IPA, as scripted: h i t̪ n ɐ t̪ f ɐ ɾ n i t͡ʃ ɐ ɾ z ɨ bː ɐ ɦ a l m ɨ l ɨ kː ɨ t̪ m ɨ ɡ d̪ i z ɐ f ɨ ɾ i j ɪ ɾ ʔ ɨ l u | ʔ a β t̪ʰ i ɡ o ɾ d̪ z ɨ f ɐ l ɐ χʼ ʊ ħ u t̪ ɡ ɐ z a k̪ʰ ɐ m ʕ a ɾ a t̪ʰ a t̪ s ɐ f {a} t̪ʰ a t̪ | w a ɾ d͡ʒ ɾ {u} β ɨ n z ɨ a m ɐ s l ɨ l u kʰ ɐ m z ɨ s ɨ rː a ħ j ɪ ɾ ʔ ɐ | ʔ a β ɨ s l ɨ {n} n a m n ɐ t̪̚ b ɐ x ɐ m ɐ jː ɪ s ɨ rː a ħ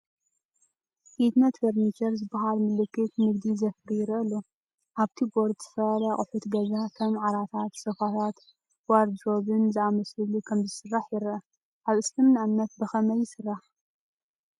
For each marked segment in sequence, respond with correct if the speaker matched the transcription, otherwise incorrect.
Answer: correct, incorrect: o, incorrect: m

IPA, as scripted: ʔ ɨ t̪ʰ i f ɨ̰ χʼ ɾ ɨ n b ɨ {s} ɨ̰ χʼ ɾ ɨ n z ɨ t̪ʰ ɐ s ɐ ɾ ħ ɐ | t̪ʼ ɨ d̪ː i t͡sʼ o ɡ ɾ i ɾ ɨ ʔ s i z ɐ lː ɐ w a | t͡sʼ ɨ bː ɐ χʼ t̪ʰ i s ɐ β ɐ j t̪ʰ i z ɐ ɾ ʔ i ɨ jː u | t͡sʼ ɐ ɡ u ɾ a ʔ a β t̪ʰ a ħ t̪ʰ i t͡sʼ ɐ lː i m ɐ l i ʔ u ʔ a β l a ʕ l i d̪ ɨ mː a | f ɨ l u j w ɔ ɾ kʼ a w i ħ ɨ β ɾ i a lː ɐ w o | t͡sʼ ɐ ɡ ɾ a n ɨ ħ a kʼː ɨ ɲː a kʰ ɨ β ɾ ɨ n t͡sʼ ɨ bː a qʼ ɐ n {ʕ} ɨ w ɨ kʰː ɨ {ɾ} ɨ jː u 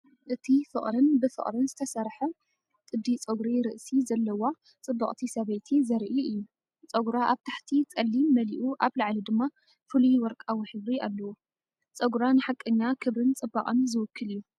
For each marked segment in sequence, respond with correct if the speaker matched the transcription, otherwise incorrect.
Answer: incorrect: f, incorrect: z, incorrect: l

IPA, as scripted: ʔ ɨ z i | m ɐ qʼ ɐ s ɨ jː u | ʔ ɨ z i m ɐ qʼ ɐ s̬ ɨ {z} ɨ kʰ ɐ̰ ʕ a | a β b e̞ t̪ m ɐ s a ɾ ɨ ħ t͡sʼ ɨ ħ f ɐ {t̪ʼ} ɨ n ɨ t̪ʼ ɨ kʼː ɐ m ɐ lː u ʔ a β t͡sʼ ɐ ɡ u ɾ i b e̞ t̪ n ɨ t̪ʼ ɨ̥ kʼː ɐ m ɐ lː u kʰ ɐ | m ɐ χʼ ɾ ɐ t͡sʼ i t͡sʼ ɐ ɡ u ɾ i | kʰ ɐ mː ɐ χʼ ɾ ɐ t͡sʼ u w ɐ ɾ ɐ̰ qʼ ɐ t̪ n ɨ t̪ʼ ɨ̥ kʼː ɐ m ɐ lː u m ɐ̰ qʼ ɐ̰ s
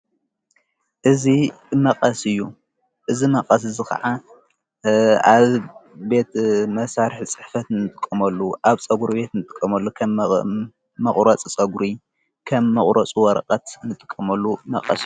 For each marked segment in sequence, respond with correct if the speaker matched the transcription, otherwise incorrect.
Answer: correct, incorrect: t̪

